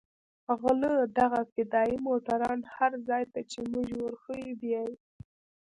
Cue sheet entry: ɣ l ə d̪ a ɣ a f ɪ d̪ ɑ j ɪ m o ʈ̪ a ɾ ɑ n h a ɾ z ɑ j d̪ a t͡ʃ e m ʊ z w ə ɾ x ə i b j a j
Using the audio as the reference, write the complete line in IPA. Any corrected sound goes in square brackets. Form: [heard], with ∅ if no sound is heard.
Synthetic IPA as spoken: ɣ l ə d̪ a ɣ a f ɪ d̪ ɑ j [i] m o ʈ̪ a ɾ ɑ n h a ɾ z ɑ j [t̪] a t͡ʃ e m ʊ [ʒ] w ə ɾ x ə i b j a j